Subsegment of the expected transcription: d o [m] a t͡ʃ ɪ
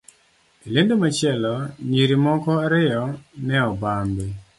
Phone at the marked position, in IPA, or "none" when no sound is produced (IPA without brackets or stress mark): m